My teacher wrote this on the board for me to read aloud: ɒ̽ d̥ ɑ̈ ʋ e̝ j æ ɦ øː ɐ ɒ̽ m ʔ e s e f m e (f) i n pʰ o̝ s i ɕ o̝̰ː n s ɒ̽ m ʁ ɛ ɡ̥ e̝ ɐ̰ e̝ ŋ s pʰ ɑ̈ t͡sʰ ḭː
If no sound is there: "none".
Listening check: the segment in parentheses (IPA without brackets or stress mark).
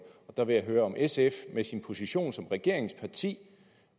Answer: s